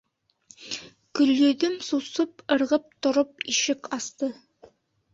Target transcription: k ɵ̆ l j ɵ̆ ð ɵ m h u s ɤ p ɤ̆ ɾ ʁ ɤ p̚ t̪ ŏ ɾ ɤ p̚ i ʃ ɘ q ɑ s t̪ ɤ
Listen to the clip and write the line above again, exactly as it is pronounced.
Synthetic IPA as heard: k ɵ̆ l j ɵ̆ ð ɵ m s u s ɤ p ɤ̆ ɾ ʁ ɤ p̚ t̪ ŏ ɾ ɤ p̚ i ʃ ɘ k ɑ s t̪ ɤ

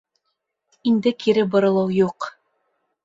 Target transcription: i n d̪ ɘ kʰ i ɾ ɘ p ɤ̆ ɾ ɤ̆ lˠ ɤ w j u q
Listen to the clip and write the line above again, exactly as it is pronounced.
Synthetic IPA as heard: i n d̪ ɘ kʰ i ɾ ɘ b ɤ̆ ɾ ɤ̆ lˠ ɤ w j u q

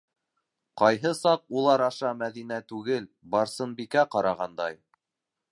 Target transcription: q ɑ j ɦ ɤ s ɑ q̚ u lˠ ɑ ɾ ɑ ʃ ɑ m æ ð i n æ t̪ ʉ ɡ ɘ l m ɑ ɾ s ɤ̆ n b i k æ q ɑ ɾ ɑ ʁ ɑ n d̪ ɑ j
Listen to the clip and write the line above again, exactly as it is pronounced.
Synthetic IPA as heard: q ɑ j ɦ ɤ s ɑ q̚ u lˠ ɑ ɾ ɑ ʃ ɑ m æ ð i n æ t̪ ʉ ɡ ɘ l b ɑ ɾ s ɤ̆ n b i k æ q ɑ ɾ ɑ ʁ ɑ n d̪ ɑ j

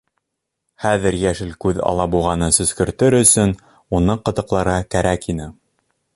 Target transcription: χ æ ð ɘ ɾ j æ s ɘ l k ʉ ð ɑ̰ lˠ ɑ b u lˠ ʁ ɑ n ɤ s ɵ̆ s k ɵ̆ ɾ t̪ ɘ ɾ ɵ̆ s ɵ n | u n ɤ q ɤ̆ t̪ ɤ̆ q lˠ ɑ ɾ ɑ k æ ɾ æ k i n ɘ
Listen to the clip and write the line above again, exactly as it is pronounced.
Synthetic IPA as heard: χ æ ð ɘ ɾ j æ ʃ ɘ l k ʉ ð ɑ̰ lˠ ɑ b u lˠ ʁ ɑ n ɤ s ɵ̆ s k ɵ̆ ɾ t̪ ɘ ɾ ɵ̆ s ɵ n | u n ɤ q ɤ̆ t̪ ɤ̆ q lˠ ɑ ɾ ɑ k æ ɾ æ k i n ɘ

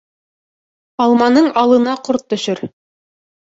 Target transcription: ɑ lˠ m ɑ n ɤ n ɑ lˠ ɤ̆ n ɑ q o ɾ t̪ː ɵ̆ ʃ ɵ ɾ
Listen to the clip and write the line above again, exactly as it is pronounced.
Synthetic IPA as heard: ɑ lˠ m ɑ n ɤ ɴ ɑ lˠ ɤ̆ n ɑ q o ɾ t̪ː ɵ̆ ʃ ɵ ɾ

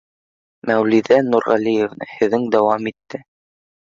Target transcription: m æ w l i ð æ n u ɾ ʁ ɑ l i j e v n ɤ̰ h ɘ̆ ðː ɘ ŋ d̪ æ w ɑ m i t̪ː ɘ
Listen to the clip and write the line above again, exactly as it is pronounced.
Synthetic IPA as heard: m æ w l i ð æ n u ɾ ʁ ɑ l i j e v n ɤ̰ h ɘ̆ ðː ɘ ŋ d̪ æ w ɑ m i t̪ː ɘ

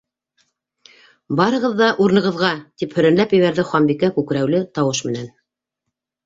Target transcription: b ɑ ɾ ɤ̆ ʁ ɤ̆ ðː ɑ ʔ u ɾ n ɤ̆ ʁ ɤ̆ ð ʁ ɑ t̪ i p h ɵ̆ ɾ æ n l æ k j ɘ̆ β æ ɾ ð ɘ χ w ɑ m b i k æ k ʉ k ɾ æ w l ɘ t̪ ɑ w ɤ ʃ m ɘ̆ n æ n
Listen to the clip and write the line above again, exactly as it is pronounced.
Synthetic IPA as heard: b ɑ ɾ ɤ̆ ʁ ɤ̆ ðː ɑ ʔ u ɾ n ɤ̆ ʁ ɤ̆ ð ʁ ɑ t̪ i p h ɵ̆ ɾ æ n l æ p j ɘ̆ β æ ɾ ð ɘ χ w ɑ m b i k æ k ʉ k ɾ æ w l ɘ t̪ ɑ w ɤ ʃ m ɘ̆ n æ n

